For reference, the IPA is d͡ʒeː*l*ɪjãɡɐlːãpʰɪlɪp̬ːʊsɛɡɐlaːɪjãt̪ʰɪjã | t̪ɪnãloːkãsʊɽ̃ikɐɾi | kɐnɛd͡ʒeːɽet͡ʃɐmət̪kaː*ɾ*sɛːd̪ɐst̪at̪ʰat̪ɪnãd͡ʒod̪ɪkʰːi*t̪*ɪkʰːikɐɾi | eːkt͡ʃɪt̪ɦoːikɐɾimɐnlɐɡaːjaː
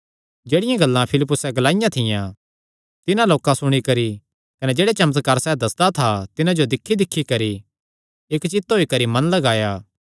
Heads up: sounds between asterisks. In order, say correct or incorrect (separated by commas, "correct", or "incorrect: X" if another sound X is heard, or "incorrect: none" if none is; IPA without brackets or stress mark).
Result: incorrect: ɽ, correct, incorrect: d̪